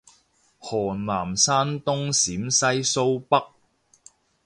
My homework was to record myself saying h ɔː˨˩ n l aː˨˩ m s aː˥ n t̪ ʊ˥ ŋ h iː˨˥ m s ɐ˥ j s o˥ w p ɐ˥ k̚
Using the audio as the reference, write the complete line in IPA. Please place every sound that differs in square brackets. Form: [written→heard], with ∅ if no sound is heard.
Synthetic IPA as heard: h ɔː˨˩ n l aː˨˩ m s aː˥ n t̪ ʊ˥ ŋ [h→s] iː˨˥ m s ɐ˥ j s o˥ w p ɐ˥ k̚